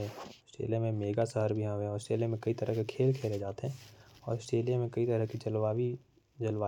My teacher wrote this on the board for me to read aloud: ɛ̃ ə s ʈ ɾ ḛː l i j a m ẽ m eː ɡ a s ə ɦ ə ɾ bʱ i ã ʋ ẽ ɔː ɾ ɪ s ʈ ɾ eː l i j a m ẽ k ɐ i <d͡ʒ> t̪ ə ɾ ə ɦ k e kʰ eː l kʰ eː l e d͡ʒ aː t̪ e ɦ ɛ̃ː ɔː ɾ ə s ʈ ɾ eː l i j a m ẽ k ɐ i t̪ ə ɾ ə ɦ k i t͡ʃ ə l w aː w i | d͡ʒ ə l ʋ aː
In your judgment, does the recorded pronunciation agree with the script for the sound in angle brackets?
no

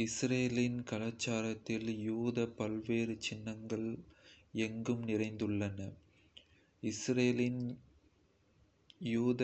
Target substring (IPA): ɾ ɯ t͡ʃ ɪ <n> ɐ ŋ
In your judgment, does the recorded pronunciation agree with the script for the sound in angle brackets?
no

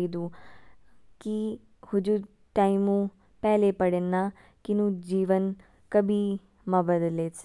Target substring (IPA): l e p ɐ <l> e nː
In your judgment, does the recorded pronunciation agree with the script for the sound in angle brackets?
no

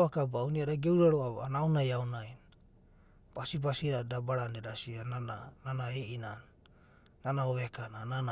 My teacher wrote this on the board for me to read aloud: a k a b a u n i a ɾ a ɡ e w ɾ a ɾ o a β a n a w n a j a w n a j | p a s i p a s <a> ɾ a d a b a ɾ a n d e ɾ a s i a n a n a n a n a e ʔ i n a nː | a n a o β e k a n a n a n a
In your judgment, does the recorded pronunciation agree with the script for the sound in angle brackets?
no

